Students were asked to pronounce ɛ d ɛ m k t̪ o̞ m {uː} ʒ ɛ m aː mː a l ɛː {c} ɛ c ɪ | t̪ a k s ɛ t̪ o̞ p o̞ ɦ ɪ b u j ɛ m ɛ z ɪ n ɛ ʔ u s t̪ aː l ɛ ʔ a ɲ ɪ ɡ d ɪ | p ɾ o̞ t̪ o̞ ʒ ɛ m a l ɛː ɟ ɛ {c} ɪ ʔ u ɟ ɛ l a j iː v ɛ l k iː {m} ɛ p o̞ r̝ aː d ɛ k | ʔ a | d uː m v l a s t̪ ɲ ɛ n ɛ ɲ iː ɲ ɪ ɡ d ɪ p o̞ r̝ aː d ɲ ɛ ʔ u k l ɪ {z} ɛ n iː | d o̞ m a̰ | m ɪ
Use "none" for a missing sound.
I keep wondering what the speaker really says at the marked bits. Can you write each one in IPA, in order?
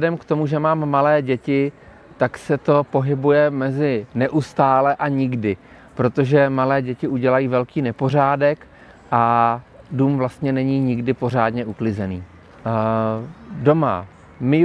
u, ɟ, c, n, z

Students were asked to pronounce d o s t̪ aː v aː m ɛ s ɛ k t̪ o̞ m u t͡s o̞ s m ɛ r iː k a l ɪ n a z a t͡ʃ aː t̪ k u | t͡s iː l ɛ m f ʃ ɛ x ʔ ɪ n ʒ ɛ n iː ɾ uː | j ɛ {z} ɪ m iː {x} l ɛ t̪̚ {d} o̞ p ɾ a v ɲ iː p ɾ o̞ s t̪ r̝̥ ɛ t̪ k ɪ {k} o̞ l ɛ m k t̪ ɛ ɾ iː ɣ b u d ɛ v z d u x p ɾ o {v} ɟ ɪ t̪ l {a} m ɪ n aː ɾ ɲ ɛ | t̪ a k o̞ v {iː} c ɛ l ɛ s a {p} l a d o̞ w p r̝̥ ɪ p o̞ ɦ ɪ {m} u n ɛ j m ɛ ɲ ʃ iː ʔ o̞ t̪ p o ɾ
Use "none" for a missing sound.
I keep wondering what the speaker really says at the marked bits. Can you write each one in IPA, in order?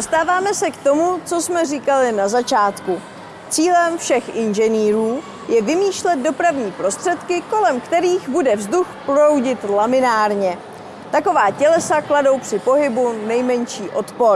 v, ʃ, d, k, w, a, aː, k, b

